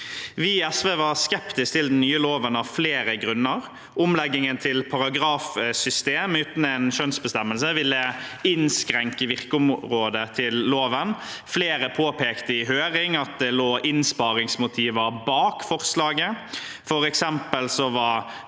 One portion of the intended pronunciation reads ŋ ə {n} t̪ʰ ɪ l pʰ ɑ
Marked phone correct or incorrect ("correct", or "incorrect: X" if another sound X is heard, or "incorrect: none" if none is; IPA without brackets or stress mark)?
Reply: correct